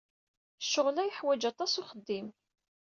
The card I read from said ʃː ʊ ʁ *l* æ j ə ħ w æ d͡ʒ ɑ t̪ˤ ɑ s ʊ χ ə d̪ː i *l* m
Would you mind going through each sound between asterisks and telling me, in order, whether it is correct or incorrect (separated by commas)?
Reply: correct, incorrect